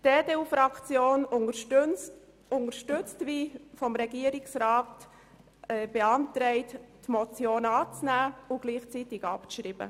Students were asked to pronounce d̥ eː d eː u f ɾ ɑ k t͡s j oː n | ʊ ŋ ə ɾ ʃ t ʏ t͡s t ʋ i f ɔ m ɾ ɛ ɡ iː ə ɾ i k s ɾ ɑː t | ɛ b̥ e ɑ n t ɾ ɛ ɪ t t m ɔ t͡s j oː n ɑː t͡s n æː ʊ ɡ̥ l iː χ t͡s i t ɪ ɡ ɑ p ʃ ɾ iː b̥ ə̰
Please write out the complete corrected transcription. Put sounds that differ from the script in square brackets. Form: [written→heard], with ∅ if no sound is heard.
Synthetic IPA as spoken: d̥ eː d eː u f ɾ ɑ k t͡s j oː n | ʊ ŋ ə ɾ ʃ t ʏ t͡s t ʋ i f ɔ m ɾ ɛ ɡ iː ə ɾ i k s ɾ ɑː t | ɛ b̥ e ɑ n t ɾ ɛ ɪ t t m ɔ t͡s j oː n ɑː t͡s n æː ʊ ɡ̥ l iː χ t͡s i t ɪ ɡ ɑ p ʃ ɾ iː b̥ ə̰